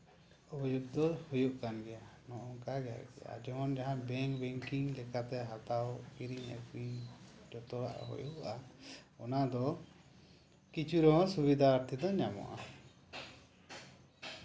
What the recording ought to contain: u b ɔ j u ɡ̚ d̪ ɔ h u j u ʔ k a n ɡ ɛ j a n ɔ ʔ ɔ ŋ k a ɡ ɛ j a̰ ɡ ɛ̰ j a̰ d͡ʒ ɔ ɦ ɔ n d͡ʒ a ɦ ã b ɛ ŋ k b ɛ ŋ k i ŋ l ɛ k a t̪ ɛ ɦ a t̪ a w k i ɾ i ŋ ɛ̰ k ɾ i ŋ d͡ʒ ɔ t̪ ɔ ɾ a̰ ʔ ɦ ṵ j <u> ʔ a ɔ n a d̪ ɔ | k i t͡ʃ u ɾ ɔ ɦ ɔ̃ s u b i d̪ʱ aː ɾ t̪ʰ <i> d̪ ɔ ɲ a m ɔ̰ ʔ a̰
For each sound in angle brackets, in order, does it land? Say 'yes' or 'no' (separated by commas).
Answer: yes, yes